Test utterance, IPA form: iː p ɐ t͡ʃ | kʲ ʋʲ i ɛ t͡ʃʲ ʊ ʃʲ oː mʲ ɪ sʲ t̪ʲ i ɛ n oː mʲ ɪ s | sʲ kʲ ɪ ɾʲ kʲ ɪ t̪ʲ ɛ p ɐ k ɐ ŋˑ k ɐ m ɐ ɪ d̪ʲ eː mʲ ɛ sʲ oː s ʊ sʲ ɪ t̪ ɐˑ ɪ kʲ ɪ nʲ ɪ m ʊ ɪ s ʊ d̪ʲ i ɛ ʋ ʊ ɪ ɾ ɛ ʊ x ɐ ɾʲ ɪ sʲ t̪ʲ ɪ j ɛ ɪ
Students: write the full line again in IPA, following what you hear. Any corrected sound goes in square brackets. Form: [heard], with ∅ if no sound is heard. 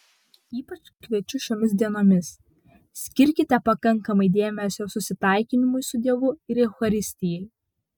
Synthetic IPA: iː p ɐ t͡ʃ | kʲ ʋʲ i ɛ t͡ʃʲ ʊ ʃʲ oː mʲ ɪ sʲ [d̪ʲ] i ɛ n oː mʲ ɪ s | sʲ kʲ ɪ ɾʲ kʲ ɪ t̪ʲ ɛ p ɐ k ɐ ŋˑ k ɐ m ɐ ɪ d̪ʲ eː mʲ ɛ sʲ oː s ʊ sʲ ɪ t̪ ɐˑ ɪ kʲ ɪ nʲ ɪ m ʊ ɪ s ʊ d̪ʲ i ɛ ʋ ʊ ɪ ɾ ɛ ʊ x ɐ ɾʲ ɪ sʲ t̪ʲ ɪ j ɛ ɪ

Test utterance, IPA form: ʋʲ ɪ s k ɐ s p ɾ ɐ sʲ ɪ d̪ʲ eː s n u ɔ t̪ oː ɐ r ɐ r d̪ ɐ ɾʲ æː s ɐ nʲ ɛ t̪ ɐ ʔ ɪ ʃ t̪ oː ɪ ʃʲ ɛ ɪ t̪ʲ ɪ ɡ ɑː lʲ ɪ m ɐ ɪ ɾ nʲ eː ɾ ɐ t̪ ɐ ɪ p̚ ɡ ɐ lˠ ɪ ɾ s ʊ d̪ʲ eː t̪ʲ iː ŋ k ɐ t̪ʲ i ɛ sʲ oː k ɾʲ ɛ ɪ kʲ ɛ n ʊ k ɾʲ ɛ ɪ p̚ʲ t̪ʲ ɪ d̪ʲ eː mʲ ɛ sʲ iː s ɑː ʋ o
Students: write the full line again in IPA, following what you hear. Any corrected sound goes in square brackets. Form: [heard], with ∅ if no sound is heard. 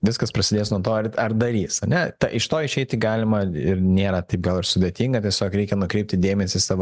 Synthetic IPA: ʋʲ ɪ s k ɐ s p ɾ ɐ sʲ ɪ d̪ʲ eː s n u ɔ t̪ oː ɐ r ɐ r d̪ ɐ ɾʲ [iː] s ɐ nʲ ɛ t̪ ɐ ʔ ɪ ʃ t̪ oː ɪ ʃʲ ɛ ɪ t̪ʲ ɪ ɡ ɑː lʲ ɪ m ɐ ɪ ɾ nʲ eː ɾ ɐ t̪ ɐ ɪ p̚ ɡ ɐ lˠ ɪ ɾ s ʊ d̪ʲ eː t̪ʲ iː ŋ [ɡ] ɐ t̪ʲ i ɛ sʲ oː k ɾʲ ɛ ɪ kʲ ɛ n ʊ k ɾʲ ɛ ɪ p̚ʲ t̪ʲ ɪ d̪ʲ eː mʲ ɛ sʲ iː s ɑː ʋ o

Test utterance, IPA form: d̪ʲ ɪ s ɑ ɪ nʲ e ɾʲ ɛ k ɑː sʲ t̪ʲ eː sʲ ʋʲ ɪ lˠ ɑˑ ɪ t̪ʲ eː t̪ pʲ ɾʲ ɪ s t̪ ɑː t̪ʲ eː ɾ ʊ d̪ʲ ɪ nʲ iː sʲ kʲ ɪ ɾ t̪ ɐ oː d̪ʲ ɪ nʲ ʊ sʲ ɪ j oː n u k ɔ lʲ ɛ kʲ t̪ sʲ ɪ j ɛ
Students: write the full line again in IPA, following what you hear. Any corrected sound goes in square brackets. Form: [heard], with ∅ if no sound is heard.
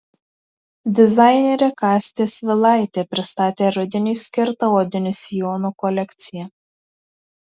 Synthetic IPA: d̪ʲ ɪ [z] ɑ ɪ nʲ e ɾʲ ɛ k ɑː sʲ t̪ʲ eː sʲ ʋʲ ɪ lˠ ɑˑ ɪ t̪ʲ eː [∅] pʲ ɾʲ ɪ s t̪ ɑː t̪ʲ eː ɾ ʊ d̪ʲ ɪ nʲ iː sʲ kʲ ɪ ɾ t̪ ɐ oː d̪ʲ ɪ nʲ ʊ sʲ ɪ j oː n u k ɔ lʲ ɛ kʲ t̪ sʲ ɪ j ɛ

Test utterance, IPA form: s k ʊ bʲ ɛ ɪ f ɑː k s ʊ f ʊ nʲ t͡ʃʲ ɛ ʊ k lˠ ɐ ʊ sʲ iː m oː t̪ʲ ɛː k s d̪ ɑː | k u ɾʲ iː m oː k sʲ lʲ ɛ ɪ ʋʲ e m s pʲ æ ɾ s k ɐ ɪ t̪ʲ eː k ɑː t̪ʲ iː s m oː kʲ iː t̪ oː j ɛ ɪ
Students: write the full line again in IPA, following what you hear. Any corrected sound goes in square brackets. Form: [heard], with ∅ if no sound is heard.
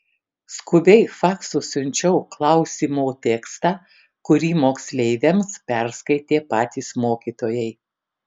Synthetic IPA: s k ʊ bʲ ɛ ɪ f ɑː k s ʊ [s] ʊ nʲ t͡ʃʲ ɛ ʊ k lˠ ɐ ʊ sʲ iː m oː t̪ʲ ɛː k s [t̪] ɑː | k [ʊ] ɾʲ iː m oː k sʲ lʲ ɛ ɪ ʋʲ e m s pʲ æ ɾ s k ɐ ɪ t̪ʲ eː [p] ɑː t̪ʲ iː s m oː kʲ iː t̪ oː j ɛ ɪ

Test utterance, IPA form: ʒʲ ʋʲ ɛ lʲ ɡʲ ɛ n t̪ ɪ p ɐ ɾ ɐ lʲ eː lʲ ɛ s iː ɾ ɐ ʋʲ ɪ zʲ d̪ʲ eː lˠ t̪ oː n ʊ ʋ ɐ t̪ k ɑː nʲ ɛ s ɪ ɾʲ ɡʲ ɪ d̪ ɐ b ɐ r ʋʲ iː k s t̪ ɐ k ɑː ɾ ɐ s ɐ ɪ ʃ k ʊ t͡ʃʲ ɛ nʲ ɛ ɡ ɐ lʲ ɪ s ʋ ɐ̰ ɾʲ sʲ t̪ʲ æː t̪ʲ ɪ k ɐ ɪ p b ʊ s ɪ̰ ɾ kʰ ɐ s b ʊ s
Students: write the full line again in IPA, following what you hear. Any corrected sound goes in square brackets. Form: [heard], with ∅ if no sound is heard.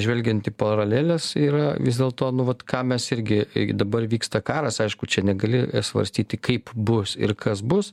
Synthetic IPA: ʒʲ ʋʲ ɛ lʲ ɡʲ ɛ n t̪ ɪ p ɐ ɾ ɐ lʲ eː lʲ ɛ s iː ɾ ɐ ʋʲ ɪ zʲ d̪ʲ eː lˠ t̪ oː n ʊ ʋ ɐ t̪ k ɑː [mʲ] ɛ s ɪ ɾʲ ɡʲ ɪ d̪ ɐ b ɐ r ʋʲ iː k s t̪ ɐ k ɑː ɾ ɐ s ɐ ɪ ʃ k ʊ t͡ʃʲ ɛ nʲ ɛ ɡ ɐ lʲ ɪ s ʋ ɐ̰ ɾʲ sʲ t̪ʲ [iː] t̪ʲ ɪ k ɐ ɪ p b ʊ s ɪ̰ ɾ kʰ ɐ s b ʊ s

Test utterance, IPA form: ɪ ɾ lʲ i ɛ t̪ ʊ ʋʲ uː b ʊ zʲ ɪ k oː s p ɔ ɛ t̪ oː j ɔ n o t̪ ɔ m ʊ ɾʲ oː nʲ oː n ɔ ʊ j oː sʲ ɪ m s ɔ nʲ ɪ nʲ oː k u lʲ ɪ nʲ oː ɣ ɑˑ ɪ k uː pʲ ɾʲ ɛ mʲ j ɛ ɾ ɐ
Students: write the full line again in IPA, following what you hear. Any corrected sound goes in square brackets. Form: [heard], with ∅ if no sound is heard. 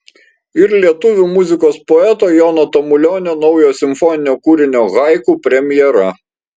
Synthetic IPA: ɪ ɾ lʲ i ɛ t̪ ʊ ʋʲ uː [m] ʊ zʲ ɪ k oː s p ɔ ɛ t̪ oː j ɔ n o t̪ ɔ m ʊ [lʲ] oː nʲ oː n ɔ ʊ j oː sʲ ɪ m [f] ɔ nʲ ɪ nʲ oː k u [ɾʲ] ɪ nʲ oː ɣ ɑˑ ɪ k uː pʲ ɾʲ ɛ mʲ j ɛ ɾ ɐ

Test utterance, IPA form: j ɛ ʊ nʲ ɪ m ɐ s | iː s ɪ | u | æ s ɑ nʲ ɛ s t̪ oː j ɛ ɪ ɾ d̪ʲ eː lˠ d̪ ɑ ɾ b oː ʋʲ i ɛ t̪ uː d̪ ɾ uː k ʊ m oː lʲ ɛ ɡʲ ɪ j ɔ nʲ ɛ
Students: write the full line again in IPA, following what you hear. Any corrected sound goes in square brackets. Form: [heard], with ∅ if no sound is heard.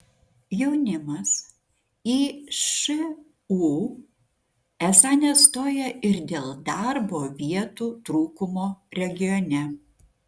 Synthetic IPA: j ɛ ʊ nʲ ɪ m ɐ s | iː [ʃ] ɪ | u | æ s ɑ nʲ ɛ s t̪ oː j ɛ ɪ ɾ d̪ʲ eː lˠ d̪ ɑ ɾ b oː ʋʲ i ɛ t̪ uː [t̪] ɾ uː k ʊ m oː [ɾʲ] ɛ ɡʲ ɪ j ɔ nʲ ɛ

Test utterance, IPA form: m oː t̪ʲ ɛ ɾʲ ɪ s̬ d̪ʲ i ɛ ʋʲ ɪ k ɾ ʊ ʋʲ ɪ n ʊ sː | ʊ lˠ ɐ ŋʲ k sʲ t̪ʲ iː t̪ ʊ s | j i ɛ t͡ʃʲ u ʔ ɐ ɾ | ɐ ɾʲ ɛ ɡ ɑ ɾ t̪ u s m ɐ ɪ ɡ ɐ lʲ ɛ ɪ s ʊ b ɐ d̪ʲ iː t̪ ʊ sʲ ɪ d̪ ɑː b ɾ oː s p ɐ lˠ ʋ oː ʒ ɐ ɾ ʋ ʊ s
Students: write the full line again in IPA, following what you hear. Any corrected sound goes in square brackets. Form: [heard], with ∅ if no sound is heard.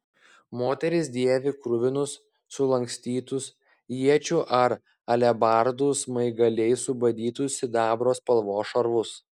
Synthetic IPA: m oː t̪ʲ ɛ ɾʲ ɪ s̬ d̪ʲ i ɛ ʋʲ ɪ k ɾ ʊ ʋʲ ɪ n ʊ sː | ʊ lˠ ɐ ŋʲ k sʲ t̪ʲ iː t̪ ʊ s | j i ɛ t͡ʃʲ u ʔ ɐ ɾ | ɐ [lʲ] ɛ [b] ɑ ɾ [d̪] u s m ɐ ɪ ɡ ɐ lʲ ɛ ɪ s ʊ b ɐ d̪ʲ iː t̪ ʊ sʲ ɪ d̪ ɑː b ɾ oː s p ɐ lˠ ʋ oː [ʃ] ɐ ɾ ʋ ʊ s

